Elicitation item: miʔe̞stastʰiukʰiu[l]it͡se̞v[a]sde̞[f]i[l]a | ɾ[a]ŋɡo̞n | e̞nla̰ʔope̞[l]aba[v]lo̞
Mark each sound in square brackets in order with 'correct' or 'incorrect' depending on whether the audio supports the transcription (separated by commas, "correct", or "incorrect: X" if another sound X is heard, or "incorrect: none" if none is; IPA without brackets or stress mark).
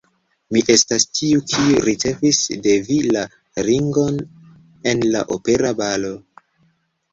incorrect: ɾ, incorrect: i, incorrect: v, correct, incorrect: i, incorrect: ɾ, incorrect: none